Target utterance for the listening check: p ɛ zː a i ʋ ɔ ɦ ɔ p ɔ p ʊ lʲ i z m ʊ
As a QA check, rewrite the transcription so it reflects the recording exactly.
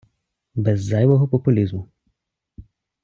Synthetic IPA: b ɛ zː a j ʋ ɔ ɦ ɔ p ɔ p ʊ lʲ i z m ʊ

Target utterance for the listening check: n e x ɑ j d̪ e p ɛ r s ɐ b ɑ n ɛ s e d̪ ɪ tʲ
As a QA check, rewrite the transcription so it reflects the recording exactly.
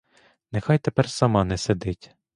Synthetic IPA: n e x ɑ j t̪ e p ɛ r s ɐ m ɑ n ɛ s e d̪ ɪ tʲ

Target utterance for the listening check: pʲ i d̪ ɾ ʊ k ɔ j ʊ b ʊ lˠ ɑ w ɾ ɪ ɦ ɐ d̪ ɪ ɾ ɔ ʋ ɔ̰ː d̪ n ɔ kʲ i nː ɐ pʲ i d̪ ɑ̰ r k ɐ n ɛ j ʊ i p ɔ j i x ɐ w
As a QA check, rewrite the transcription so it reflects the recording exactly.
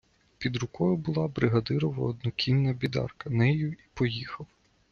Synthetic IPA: pʲ i d̪ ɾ ʊ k ɔ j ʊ b ʊ lˠ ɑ b ɾ ɪ ɦ ɐ d̪ ɪ ɾ ɔ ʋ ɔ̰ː d̪ n ɔ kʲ i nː ɐ bʲ i d̪ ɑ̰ r k ɐ n ɛ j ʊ i p ɔ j i x ɐ w

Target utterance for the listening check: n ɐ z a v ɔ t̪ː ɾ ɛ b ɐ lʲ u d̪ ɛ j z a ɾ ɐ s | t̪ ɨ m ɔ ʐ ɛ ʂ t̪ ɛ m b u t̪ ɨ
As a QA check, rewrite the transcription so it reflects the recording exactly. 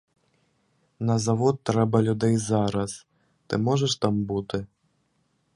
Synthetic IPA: n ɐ z a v ɔ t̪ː ɾ ɛ b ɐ lʲ u d̪ ɛ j z a ɾ ɐ s | t̪ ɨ m ɔ ʐ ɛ ʂ t̪ a m b u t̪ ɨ

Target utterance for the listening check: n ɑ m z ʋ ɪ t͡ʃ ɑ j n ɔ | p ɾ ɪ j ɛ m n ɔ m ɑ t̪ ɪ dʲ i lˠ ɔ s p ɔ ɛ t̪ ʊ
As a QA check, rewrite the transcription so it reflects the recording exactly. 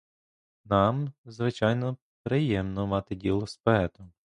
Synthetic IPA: n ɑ m z ʋ ɪ t͡ʃ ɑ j n ɔ | p ɾ ɪ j ɛ m n ɔ m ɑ t̪ ɪ dʲ i lˠ ɔ s p ɔ ɛ t̪ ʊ

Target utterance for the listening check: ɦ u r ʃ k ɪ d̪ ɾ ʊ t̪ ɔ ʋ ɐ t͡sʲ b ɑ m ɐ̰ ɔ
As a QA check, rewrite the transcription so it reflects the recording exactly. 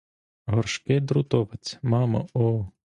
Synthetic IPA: ɦ ɔ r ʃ k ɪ d̪ ɾ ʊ t̪ ɔ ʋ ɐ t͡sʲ m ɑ m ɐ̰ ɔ

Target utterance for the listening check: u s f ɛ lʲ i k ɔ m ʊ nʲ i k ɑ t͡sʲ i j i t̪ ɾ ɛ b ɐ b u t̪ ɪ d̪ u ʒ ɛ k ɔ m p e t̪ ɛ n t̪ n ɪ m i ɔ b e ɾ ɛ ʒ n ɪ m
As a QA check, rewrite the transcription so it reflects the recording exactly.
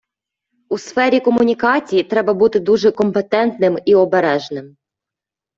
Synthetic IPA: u s f ɛ ɾʲ i k ɔ m ʊ nʲ i k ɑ t͡sʲ i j i t̪ ɾ ɛ b ɐ b u t̪ ɪ d̪ u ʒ ɛ k ɔ m p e t̪ ɛ n t̪ n ɪ m i ɔ b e ɾ ɛ ʒ n ɪ m

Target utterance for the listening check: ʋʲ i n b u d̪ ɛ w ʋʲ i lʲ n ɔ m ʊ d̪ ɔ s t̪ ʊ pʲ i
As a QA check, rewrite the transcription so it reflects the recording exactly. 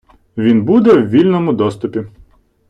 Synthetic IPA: ʋʲ i n b u d̪ ɛ w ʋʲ i lʲ n ɔ m ʊ d̪ ɔ s t̪ ʊ pʲ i

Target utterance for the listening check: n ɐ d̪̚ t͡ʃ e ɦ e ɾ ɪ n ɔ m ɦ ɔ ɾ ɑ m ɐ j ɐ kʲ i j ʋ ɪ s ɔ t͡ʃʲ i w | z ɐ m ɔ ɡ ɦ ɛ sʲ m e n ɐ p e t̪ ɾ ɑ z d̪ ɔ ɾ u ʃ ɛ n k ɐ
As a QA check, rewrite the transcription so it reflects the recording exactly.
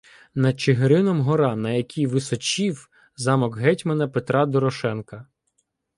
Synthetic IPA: n ɐ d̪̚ t͡ʃ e ɦ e ɾ ɪ n ɔ m ɦ ɔ ɾ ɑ n ɐ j ɐ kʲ i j ʋ ɪ s ɔ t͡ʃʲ i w | z ɑ m ɔ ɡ ɦ ɛ tʲ m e n ɐ p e t̪ ɾ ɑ d̪ ɔ ɾ ɔ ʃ ɛ n k ɐ

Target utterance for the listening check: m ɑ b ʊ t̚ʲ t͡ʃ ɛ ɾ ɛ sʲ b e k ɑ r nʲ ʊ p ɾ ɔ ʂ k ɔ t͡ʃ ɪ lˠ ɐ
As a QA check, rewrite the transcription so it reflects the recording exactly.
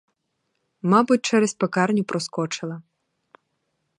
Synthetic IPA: m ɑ b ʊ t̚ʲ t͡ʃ ɛ ɾ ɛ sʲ p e k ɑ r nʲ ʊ p ɾ ɔ s k ɔ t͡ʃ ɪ lˠ ɐ

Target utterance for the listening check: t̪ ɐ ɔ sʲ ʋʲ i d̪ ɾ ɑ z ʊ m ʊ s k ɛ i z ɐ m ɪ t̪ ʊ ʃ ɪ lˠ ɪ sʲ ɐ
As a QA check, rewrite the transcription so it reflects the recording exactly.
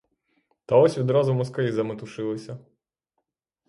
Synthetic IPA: t̪ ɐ ɔ sʲ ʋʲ i d̪ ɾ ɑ z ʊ m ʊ s k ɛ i z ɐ m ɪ t̪ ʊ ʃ ɪ lˠ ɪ sʲ ɐ

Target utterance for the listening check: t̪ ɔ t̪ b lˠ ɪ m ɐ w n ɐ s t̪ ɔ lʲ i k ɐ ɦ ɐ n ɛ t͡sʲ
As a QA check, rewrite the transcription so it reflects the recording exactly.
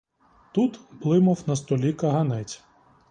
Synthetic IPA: t̪ u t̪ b lˠ ɪ m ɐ w n ɐ s t̪ ɔ lʲ i k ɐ ɦ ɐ n ɛ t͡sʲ

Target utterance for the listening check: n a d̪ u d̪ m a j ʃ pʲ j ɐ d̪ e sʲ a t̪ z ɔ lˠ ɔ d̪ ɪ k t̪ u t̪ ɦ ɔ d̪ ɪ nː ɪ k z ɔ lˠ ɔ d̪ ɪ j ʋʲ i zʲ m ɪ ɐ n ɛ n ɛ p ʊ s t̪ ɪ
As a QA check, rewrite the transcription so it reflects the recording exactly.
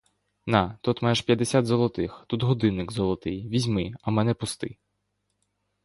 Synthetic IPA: n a t̪ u t̪ m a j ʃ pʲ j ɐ d̪ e sʲ a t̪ z ɔ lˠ ɔ t̪ ɪ x t̪ u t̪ ɦ ɔ d̪ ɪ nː ɪ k z ɔ lˠ ɔ t̪ ɪ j ʋʲ i zʲ m ɪ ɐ m ɛ n ɛ p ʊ s t̪ ɪ

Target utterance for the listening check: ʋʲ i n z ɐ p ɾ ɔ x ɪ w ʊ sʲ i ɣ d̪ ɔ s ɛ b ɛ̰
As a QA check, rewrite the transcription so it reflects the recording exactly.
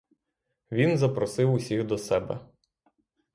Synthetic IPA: ʋʲ i n z ɐ p ɾ ɔ s ɪ w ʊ sʲ i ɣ d̪ ɔ s ɛ b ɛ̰

